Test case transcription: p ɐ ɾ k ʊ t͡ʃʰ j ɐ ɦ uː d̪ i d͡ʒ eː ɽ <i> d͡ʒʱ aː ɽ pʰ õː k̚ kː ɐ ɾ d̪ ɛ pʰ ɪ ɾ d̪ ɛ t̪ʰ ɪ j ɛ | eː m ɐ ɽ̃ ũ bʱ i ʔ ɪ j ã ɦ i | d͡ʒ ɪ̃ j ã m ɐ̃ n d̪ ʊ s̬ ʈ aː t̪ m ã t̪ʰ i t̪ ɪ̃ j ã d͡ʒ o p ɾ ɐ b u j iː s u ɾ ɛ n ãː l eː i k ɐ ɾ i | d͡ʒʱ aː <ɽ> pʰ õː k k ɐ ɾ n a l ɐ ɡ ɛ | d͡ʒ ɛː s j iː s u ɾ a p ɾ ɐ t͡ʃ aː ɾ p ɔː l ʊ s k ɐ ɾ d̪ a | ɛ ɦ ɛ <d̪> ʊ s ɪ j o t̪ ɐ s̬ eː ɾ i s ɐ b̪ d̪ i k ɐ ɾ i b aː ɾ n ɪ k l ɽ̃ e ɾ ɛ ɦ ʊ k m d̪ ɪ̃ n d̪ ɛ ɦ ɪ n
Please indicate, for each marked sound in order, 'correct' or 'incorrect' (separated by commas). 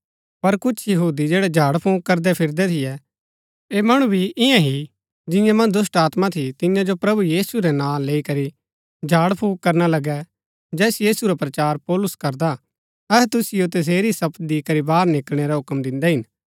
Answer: incorrect, correct, incorrect